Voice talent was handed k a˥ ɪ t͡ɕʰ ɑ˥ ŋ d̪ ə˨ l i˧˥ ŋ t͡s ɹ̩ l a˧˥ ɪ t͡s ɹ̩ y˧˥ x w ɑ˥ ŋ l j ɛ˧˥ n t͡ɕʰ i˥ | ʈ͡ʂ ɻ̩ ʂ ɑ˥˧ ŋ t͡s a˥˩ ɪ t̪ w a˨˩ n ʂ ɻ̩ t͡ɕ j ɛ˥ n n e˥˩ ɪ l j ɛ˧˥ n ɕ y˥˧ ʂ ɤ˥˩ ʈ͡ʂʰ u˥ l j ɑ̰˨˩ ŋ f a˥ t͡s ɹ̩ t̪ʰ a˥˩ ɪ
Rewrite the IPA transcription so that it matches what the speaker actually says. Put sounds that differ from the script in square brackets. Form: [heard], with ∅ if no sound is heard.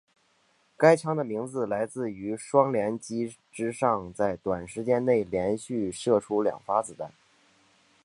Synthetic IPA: k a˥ ɪ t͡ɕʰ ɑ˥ ŋ d̪ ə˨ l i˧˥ ŋ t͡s ɹ̩ l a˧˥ ɪ t͡s ɹ̩ y˧˥ [ʂ] w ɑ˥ ŋ l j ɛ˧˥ n [t͡ɕ] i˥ | ʈ͡ʂ ɻ̩ ʂ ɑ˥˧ ŋ t͡s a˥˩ ɪ t̪ w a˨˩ n ʂ ɻ̩ t͡ɕ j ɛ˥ n n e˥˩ ɪ l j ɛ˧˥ n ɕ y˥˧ ʂ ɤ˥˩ ʈ͡ʂʰ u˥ l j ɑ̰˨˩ ŋ f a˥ t͡s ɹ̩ [t̪] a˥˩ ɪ